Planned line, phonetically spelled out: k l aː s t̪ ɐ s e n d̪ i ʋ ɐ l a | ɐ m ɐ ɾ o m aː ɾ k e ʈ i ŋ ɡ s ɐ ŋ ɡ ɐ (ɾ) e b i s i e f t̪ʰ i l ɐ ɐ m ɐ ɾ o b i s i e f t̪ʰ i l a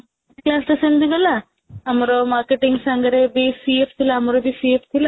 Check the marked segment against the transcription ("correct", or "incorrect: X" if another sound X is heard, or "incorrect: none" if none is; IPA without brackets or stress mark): correct